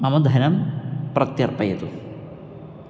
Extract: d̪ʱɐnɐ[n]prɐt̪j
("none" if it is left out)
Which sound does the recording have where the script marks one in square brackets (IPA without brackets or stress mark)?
m